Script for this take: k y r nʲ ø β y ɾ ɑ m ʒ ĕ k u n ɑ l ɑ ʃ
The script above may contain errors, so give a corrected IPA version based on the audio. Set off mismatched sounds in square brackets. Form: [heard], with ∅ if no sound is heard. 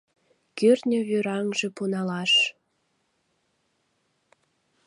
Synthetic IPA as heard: k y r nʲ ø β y ɾ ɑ [ŋ] ʒ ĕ [p] u n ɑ l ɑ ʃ